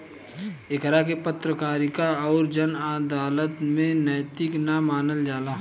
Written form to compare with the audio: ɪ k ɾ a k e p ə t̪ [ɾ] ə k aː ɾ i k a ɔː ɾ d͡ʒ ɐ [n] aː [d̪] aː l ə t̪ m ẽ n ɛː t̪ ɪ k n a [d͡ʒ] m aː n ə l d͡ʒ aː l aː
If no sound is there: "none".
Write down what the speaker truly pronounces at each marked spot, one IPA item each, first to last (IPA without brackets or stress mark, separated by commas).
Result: ɾ, n, d̪, none